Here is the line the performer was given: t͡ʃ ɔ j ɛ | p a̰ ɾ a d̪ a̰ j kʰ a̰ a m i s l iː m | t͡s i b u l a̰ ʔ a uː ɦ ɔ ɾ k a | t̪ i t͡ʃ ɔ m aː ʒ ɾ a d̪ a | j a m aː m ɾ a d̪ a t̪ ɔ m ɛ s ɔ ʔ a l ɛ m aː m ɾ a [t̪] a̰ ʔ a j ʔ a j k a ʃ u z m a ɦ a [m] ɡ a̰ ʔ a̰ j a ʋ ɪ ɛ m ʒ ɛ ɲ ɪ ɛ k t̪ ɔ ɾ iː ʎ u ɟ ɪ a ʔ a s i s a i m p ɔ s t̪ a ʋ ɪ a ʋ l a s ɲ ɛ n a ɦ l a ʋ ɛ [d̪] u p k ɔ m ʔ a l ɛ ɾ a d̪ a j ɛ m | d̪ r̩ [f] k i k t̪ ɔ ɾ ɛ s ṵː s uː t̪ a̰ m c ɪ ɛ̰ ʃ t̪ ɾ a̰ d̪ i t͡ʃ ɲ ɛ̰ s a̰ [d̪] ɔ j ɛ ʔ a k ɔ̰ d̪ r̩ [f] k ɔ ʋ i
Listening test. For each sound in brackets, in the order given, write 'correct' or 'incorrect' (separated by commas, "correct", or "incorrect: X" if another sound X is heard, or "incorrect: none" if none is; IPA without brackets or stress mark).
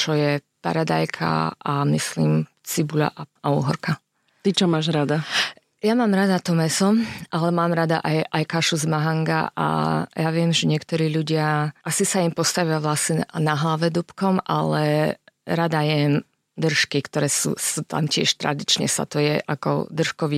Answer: incorrect: d̪, incorrect: ŋ, correct, incorrect: ʃ, incorrect: t̪, incorrect: ʃ